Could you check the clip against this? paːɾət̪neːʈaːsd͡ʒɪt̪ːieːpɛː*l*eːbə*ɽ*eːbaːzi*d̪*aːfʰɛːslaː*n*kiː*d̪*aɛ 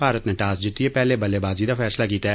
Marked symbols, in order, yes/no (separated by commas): yes, no, yes, no, no